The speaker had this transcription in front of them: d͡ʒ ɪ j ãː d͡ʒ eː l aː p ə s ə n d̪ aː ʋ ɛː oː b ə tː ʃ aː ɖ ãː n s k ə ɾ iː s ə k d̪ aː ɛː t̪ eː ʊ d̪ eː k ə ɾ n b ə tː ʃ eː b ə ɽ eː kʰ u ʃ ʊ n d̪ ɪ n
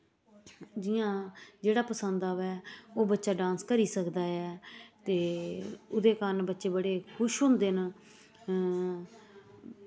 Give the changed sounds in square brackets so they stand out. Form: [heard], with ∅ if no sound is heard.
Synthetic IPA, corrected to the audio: d͡ʒ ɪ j ãː d͡ʒ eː [ɽ] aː p ə s ə n d̪ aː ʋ ɛː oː b ə tː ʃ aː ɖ ãː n s k ə ɾ iː s ə k d̪ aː ɛː t̪ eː ʊ d̪ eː k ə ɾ n b ə tː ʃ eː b ə ɽ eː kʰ [ʊ] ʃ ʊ n d̪ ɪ n